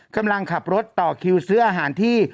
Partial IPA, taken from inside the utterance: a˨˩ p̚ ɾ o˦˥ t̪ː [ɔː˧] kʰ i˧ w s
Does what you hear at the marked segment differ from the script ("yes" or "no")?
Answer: yes